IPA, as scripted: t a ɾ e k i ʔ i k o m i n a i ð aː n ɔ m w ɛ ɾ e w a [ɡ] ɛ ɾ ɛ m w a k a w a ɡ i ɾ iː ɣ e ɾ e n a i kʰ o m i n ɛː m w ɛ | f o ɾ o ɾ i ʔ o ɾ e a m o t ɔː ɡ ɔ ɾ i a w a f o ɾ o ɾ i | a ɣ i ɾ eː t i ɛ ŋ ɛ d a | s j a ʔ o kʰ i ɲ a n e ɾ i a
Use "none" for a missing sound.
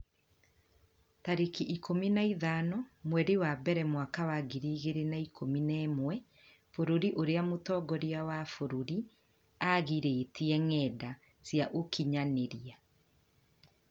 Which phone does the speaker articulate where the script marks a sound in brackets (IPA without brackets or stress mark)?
b